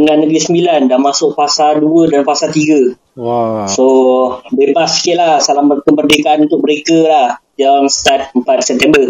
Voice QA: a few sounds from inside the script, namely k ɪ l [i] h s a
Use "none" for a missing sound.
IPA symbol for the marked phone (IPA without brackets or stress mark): a